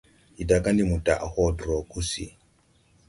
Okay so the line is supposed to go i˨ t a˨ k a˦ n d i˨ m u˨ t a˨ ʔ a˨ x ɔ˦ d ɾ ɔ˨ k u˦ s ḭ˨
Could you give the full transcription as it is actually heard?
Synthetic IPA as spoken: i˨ d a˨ k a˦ n d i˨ m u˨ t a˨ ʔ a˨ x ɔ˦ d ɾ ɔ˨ k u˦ s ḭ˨